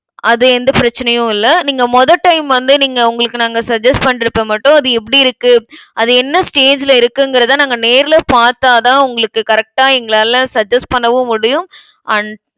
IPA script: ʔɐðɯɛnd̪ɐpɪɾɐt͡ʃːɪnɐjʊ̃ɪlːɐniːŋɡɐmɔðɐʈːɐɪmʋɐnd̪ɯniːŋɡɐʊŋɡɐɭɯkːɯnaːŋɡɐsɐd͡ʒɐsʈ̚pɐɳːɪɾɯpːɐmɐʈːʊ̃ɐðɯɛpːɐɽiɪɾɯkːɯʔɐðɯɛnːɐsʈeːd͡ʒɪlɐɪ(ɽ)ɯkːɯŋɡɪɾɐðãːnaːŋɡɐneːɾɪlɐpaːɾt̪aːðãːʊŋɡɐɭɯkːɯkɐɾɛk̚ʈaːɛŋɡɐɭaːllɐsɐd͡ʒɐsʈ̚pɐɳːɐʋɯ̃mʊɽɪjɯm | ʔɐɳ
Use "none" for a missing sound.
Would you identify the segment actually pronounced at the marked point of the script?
ɾ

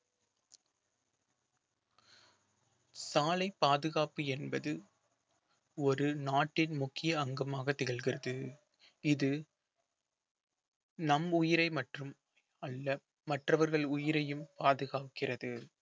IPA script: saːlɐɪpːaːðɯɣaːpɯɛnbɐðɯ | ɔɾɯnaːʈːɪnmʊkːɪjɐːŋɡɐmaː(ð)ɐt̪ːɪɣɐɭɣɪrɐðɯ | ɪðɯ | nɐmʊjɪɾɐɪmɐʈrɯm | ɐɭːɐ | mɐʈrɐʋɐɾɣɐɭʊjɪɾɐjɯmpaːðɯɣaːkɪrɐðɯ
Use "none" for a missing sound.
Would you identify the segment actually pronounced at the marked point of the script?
ɣ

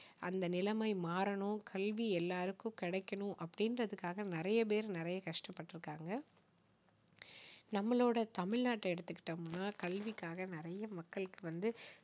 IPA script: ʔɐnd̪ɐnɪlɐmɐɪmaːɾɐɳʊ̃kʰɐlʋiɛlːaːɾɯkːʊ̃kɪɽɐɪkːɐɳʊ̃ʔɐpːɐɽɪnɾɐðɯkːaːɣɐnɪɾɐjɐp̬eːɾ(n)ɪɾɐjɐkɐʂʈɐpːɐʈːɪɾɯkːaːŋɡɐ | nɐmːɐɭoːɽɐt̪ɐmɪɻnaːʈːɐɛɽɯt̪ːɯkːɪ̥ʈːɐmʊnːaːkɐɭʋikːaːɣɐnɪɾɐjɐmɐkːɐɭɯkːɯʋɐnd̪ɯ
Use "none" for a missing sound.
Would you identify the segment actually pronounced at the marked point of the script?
n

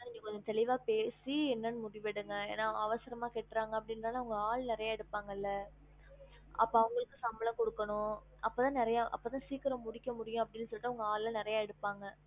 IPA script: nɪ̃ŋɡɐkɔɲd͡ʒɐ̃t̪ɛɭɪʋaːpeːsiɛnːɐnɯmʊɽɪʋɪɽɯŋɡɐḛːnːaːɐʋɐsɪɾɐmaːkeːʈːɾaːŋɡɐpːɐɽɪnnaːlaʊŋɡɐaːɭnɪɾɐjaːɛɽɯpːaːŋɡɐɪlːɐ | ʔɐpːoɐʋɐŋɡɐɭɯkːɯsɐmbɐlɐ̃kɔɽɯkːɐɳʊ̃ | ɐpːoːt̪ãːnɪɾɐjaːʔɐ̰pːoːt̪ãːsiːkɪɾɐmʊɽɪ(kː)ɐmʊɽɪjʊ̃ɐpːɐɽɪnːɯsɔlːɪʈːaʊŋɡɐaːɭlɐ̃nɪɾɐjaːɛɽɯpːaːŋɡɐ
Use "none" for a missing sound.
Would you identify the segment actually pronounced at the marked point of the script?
kː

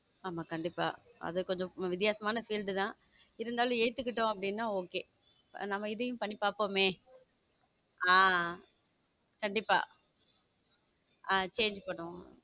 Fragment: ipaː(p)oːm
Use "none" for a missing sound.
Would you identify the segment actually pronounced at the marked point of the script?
p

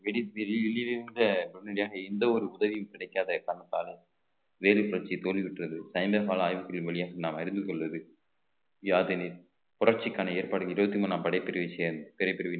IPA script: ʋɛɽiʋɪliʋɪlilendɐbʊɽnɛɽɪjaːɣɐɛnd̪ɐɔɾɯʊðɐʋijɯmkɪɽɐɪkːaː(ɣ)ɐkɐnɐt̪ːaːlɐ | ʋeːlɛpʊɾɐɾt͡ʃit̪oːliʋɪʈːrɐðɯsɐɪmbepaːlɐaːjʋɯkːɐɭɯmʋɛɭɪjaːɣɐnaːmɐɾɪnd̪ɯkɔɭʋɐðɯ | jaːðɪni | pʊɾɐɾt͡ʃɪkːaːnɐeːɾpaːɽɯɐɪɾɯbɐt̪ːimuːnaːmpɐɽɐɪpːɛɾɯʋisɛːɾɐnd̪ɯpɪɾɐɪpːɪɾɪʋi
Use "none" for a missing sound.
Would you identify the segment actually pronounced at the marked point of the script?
ð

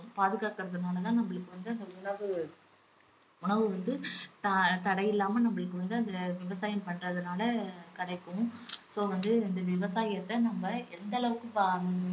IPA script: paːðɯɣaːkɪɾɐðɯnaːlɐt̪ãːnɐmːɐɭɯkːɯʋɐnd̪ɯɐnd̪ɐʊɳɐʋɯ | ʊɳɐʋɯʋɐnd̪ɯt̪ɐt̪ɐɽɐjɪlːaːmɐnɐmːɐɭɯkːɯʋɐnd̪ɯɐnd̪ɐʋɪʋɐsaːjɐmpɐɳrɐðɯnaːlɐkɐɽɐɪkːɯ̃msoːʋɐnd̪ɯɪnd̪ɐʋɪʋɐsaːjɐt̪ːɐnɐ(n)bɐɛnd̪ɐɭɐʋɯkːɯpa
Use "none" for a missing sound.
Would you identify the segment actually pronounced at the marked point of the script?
m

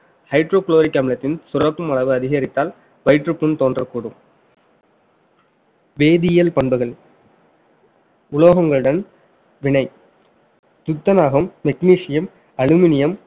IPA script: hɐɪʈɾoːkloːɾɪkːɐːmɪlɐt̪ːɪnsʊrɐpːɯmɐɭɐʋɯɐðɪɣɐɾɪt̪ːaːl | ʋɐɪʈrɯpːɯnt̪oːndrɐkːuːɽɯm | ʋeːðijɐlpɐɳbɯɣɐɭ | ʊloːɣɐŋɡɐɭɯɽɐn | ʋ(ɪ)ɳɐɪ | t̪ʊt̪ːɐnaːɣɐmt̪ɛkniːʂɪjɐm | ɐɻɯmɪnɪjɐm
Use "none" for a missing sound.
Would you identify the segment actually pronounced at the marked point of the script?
ɪ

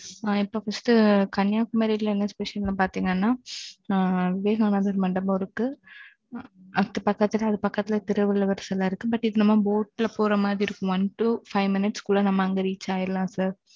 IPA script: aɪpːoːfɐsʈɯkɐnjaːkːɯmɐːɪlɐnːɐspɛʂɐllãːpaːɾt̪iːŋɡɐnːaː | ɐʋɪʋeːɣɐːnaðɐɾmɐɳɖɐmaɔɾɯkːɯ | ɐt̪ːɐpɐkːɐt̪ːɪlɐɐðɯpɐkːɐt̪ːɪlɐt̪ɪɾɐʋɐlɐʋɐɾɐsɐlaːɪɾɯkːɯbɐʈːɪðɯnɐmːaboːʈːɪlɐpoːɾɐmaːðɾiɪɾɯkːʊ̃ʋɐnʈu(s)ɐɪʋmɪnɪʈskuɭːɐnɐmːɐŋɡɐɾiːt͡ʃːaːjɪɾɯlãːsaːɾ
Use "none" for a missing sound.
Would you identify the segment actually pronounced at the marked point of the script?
f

